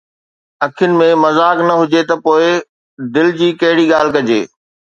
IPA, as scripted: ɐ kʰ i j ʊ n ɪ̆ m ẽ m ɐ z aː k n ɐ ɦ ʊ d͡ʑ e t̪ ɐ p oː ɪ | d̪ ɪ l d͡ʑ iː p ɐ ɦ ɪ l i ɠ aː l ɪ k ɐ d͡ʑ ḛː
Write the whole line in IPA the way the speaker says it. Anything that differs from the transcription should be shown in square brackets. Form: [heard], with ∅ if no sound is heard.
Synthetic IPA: ɐ kʰ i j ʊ n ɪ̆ m ẽ m ɐ z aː k n ɐ ɦ ʊ d͡ʑ e t̪ ɐ p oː ɪ | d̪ ɪ l d͡ʑ iː [k] ɐ ɦ ɪ [ɽ] i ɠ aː l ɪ k ɐ d͡ʑ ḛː